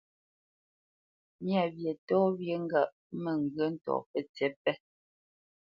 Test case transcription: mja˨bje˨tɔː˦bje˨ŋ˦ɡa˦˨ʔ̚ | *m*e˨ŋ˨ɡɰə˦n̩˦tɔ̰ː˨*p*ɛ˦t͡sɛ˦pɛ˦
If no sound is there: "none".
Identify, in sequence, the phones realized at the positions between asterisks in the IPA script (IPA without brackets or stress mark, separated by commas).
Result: m, p